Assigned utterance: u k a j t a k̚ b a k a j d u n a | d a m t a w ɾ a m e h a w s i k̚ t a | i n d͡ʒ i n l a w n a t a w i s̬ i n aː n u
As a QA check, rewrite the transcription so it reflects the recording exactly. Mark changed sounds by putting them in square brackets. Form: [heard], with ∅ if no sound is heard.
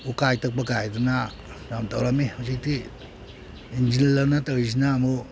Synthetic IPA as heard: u k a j t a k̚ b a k a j d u n a | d a m t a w ɾ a m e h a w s i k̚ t [i] | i n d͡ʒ i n l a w n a t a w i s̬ i n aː [m] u